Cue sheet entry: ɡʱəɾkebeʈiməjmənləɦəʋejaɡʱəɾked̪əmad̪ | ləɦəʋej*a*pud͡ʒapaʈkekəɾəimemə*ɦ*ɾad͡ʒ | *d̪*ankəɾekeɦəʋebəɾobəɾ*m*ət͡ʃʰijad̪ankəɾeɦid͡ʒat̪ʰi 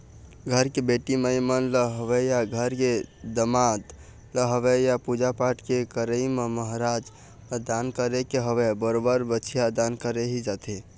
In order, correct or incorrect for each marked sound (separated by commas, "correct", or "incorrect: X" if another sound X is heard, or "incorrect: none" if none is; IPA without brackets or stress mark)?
correct, correct, correct, incorrect: b